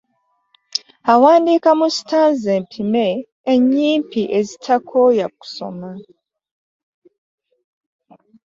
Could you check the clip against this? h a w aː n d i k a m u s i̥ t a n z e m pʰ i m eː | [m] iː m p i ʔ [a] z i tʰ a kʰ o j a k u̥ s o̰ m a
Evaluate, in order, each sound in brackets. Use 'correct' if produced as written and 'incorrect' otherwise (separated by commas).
incorrect, incorrect